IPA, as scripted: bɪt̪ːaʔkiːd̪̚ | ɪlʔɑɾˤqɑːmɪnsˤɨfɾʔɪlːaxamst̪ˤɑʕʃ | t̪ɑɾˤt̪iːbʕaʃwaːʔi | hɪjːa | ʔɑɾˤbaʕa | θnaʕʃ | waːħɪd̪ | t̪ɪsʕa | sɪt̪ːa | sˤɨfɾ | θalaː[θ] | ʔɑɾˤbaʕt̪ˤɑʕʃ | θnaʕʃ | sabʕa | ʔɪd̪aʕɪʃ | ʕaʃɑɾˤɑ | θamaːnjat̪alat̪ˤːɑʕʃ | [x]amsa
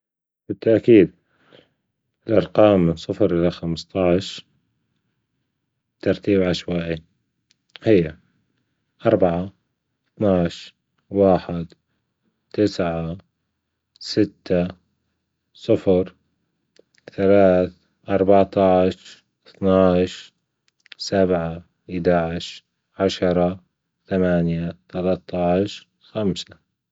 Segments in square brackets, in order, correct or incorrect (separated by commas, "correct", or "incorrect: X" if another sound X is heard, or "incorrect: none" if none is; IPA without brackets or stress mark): correct, correct